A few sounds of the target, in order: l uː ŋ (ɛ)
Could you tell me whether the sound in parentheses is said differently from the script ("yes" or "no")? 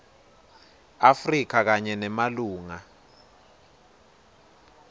yes